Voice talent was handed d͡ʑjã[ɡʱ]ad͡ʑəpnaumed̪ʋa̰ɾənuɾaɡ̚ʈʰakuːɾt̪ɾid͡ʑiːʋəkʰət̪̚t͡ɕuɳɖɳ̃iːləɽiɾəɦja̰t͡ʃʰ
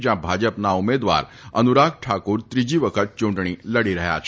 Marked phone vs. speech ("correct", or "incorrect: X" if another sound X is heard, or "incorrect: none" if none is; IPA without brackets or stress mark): incorrect: bʱ